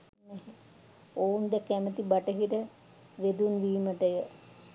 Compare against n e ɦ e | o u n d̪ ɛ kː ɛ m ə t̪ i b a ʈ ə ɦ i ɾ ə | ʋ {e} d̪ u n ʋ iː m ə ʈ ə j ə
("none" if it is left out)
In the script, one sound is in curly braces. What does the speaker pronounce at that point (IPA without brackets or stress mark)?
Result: e